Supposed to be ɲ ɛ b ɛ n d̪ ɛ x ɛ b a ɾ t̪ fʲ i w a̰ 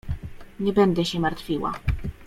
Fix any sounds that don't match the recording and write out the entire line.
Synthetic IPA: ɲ ɛ b ɛ n d̪ ɛ ɕ ɛ m a ɾ t̪ fʲ i w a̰